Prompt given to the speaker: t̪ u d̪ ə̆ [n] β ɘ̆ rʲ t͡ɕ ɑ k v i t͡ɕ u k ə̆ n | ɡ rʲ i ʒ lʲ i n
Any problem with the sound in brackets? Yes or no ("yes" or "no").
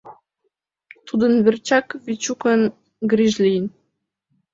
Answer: no